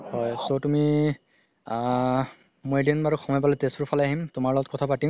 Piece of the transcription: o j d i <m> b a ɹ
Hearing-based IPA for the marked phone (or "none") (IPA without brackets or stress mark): n